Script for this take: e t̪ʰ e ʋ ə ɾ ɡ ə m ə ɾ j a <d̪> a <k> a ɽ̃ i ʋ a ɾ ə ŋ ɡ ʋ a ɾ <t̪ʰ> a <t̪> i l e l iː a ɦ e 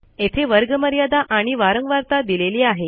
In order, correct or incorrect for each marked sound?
correct, incorrect: ʔ, incorrect: t̪, incorrect: d̪

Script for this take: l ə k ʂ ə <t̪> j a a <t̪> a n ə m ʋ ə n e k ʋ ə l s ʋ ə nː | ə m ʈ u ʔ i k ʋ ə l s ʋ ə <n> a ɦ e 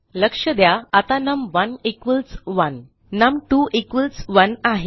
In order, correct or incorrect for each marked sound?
incorrect: d̪, correct, correct

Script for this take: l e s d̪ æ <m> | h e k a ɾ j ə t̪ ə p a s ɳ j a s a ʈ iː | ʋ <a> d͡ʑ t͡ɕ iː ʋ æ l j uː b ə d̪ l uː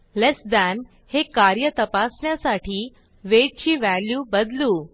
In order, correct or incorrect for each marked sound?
incorrect: n, incorrect: e

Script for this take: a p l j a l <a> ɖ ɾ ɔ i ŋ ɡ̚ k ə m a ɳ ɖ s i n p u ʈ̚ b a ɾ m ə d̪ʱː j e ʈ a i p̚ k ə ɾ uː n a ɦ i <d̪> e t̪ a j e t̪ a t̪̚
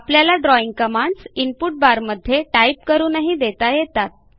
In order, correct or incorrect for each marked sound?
correct, correct

